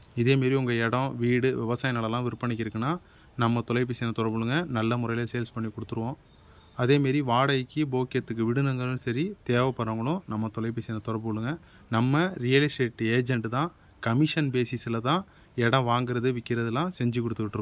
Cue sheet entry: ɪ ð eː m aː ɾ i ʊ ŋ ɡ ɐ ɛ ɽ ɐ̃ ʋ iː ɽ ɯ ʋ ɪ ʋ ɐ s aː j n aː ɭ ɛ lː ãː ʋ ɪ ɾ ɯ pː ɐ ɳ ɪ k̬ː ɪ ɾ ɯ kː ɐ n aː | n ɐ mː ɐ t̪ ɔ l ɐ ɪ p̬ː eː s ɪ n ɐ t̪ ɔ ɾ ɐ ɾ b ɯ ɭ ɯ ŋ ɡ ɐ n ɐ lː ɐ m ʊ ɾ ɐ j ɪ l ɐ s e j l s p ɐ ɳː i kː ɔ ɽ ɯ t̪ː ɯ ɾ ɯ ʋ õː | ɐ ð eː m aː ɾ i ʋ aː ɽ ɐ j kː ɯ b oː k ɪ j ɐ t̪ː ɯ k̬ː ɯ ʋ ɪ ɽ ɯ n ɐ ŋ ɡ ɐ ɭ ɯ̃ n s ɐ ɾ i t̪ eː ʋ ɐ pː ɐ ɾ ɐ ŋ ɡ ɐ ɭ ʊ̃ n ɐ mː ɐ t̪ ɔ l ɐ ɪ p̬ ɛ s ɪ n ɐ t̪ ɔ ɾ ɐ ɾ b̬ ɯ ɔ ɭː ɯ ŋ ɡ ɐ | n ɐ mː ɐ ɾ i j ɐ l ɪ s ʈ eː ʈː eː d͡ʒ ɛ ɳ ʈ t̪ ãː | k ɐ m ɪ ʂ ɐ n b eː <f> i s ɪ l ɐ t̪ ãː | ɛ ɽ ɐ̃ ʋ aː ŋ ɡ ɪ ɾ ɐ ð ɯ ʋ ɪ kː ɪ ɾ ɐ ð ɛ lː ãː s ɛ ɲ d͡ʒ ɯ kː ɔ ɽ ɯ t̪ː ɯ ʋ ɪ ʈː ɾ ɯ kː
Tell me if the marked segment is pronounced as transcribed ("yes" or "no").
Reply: no